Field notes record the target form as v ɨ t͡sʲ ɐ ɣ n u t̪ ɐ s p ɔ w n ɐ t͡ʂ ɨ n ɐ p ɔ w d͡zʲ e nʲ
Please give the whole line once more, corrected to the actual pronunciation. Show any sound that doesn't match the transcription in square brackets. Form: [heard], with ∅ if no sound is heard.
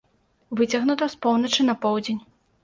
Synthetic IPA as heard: v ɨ t͡sʲ ɐ ɣ n u t̪ ɐ s p ɔ w n ɐ t͡ʂ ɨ n ɐ p ɔ w d͡zʲ e nʲ